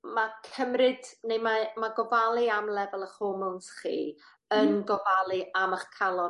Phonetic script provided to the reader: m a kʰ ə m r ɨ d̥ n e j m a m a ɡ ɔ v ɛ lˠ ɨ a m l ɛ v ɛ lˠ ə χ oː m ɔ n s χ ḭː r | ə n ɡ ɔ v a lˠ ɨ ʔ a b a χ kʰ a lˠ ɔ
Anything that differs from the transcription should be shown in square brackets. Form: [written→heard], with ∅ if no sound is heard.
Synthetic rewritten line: m a kʰ ə m r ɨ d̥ n e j m a m a ɡ ɔ v [ɛ→a] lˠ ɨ a m l ɛ v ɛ lˠ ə χ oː m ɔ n s χ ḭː [r→∅] | ə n ɡ ɔ v a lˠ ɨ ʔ a [b→m] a χ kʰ a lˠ ɔ